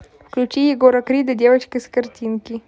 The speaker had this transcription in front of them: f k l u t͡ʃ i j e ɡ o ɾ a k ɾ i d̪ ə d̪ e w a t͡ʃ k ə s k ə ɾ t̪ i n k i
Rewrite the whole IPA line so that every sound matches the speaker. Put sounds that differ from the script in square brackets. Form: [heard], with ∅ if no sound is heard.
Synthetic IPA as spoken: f k l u t͡ʃ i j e ɡ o ɾ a k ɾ i d̪ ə d̪ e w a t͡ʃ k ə s k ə ɾ t̪ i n k i